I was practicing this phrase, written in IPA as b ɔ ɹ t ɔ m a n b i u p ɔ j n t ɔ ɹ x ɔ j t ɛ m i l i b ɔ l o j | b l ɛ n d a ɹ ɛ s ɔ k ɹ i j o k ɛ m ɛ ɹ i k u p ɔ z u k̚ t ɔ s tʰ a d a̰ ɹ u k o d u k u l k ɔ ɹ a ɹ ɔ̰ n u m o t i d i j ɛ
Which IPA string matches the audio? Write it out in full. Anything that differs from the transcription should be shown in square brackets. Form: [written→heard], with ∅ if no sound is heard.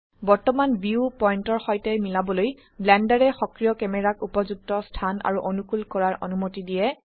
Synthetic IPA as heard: b ɔ ɹ t ɔ m a n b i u p ɔ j n t ɔ ɹ x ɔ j t ɛ m i l [i→a] b ɔ l o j | b l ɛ n d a ɹ ɛ [s→x] ɔ k ɹ i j [o→ɔ] k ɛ m ɛ ɹ [i→a] k u p ɔ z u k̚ t ɔ s tʰ a [d→n] a̰ ɹ u [k→ʔ] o [d→n] u k u l k ɔ ɹ a ɹ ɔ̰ n u m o t i d i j ɛ